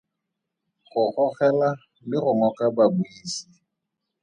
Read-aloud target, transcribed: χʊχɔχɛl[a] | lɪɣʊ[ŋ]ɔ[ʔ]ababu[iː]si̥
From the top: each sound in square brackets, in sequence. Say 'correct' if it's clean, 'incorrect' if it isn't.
correct, correct, incorrect: k, correct

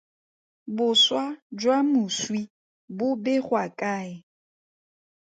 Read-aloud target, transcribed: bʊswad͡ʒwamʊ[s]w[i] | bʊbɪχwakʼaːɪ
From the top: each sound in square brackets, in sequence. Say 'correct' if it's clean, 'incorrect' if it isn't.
correct, correct

